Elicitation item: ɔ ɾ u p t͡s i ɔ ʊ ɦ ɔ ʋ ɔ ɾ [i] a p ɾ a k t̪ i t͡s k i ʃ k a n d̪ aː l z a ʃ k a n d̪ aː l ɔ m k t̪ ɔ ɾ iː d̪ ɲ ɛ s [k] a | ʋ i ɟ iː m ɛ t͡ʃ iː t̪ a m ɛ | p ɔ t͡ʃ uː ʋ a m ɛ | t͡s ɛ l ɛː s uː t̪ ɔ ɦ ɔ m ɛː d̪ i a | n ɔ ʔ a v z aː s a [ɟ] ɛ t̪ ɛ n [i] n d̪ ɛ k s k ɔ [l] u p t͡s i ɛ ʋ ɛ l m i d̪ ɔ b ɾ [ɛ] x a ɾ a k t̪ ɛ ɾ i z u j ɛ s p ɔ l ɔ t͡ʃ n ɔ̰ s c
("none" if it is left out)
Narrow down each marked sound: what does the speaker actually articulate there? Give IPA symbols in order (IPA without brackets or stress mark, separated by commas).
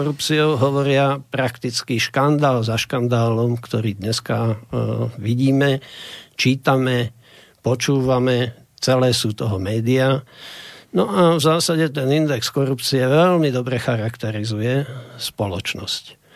ɪ, k, ɟ, i, ɾ, ɛ